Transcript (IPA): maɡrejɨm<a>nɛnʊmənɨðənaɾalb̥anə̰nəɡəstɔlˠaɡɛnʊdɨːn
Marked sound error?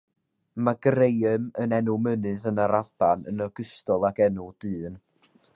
yes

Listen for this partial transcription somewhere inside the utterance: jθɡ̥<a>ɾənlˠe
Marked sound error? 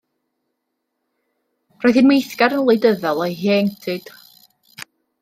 no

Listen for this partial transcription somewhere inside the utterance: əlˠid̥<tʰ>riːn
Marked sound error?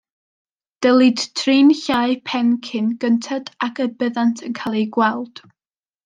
no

